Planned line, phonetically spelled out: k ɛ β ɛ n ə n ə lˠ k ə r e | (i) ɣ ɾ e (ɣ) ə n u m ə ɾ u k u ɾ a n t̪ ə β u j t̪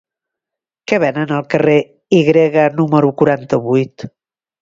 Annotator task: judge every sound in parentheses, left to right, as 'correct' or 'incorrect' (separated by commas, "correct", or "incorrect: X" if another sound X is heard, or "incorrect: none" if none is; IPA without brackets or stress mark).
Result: correct, correct